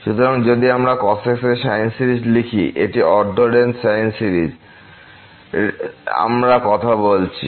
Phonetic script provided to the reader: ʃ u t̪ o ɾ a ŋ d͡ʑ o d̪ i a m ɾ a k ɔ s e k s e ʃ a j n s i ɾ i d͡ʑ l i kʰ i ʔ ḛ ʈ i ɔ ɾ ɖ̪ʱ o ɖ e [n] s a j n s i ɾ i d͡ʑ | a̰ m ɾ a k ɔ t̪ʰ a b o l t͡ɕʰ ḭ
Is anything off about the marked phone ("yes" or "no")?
no